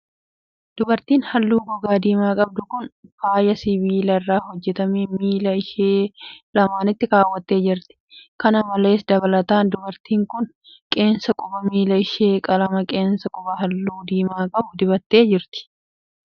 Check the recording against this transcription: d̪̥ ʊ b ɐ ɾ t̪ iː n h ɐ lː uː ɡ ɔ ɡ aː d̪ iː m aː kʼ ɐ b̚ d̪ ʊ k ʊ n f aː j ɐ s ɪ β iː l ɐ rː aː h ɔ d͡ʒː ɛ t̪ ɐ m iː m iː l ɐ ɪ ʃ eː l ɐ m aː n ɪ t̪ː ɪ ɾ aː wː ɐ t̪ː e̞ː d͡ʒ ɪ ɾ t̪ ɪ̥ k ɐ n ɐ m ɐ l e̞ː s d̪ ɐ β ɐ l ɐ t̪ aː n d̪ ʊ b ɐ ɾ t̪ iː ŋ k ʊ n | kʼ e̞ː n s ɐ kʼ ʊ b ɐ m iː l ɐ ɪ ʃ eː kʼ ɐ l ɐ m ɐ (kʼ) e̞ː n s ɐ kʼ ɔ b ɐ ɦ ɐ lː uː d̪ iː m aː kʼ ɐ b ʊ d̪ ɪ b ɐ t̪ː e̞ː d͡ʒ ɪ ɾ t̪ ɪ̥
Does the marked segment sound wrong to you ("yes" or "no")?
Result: no